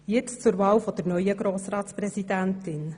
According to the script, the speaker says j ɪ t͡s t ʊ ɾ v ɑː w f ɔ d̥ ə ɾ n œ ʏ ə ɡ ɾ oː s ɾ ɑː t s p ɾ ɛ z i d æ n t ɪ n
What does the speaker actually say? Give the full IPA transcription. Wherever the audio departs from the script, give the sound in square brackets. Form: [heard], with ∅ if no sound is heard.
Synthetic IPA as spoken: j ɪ t͡s [t͡s] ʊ ɾ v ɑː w f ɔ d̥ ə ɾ n œ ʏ ə ɡ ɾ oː s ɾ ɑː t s p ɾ ɛ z i d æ n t ɪ n